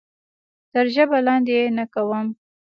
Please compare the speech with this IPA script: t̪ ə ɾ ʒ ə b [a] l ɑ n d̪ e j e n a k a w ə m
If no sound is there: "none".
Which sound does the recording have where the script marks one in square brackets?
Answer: a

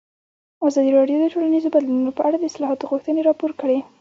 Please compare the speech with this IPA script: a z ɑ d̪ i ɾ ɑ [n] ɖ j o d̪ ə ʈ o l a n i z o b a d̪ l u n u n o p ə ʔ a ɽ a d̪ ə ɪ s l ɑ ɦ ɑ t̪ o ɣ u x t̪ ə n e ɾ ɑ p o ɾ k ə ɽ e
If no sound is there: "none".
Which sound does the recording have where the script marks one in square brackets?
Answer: none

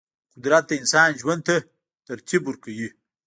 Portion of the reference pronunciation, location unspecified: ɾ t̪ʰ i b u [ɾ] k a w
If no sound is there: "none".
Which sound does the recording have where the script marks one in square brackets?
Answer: ɾ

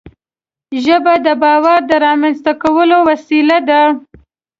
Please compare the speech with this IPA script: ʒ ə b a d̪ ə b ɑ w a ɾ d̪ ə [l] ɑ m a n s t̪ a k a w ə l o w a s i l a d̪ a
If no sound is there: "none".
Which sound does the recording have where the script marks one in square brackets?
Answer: ɾ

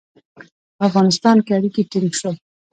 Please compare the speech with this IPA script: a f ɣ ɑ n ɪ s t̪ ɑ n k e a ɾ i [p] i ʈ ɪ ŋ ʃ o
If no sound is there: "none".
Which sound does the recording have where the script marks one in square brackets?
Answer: k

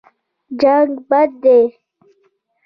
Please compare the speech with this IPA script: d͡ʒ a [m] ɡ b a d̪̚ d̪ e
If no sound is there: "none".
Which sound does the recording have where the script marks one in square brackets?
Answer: ŋ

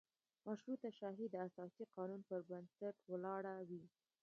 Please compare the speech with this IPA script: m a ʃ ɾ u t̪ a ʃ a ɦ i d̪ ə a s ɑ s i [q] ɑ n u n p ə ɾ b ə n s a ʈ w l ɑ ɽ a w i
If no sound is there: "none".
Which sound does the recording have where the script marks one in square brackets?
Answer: q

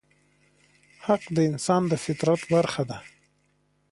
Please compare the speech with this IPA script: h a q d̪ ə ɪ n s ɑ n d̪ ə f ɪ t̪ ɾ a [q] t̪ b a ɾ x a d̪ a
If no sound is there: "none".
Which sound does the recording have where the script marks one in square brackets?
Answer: none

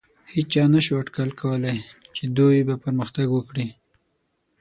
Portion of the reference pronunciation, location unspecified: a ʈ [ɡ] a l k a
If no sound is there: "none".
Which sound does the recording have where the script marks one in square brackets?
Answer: k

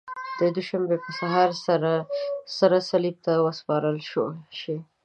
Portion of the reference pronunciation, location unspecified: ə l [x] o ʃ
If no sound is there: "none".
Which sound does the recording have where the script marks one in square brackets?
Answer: ʃ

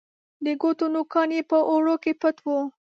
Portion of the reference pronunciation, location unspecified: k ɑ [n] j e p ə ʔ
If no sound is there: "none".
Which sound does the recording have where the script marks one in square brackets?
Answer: n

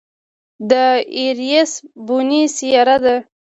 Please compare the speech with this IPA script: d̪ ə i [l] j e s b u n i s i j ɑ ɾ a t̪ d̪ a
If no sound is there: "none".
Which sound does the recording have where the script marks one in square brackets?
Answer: ɾ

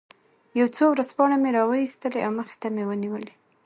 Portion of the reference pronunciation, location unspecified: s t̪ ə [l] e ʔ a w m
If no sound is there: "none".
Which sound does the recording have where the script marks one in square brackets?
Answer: l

